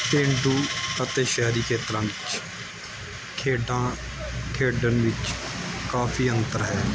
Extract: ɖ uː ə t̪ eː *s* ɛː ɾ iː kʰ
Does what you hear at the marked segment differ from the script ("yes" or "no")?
yes